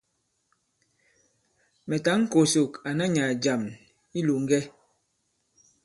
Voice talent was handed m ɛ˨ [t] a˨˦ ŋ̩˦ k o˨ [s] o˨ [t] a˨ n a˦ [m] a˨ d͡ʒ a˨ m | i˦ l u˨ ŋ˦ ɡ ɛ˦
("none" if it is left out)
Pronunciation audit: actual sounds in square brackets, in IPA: t, s, k, ɲ

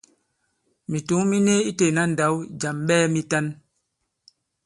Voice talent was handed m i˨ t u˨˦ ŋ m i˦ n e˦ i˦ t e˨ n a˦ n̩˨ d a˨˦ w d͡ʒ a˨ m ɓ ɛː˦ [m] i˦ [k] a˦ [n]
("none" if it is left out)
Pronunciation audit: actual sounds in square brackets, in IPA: m, t, n

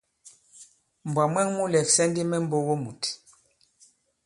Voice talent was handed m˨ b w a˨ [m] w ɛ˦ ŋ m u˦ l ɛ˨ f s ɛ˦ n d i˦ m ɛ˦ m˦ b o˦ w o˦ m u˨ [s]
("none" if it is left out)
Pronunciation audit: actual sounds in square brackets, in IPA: m, t

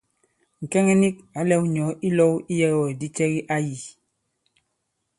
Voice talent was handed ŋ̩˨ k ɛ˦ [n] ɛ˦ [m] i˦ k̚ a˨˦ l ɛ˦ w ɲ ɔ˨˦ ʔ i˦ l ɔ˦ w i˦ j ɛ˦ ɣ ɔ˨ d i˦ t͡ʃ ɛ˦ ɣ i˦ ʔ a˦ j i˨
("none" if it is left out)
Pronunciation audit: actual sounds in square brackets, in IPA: ŋ, n

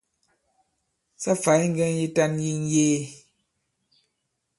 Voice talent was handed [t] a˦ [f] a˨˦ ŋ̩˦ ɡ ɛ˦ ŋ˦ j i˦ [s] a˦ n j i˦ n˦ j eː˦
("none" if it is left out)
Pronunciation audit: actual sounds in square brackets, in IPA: s, f, t

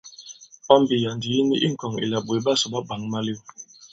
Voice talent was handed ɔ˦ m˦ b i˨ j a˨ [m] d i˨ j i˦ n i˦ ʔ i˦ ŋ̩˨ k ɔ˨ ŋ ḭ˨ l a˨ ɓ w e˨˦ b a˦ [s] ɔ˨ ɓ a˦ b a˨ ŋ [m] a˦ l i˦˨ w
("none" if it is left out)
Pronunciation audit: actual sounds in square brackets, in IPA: n, s, m

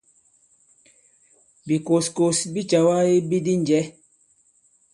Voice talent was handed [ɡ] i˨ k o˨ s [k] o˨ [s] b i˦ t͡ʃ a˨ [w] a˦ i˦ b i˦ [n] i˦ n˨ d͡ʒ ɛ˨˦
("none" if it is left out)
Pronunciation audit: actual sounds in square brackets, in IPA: b, k, s, w, d

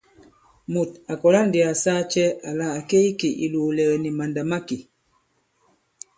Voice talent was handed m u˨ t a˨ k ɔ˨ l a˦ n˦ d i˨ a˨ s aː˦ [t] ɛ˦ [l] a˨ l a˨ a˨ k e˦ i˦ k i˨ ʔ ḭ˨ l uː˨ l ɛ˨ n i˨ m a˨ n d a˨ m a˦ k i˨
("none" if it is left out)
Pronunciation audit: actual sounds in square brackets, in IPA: t͡ʃ, none

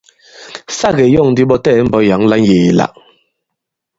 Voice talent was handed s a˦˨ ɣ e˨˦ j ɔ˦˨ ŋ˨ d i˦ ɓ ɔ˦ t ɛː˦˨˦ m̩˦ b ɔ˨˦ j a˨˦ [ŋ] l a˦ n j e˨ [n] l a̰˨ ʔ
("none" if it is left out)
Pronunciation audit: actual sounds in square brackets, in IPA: ŋ, none

